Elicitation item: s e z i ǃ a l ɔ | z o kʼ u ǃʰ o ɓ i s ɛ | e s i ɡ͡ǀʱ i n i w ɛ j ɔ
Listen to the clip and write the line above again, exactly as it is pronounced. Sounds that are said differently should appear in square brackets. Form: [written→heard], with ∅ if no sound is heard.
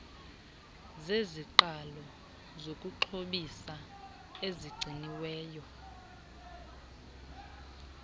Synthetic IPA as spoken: [s→z] e z i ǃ a l ɔ | z o kʼ u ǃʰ o ɓ i s [ɛ→a] | e [s→z] i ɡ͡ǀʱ i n i w [ɛ→ɛː] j ɔ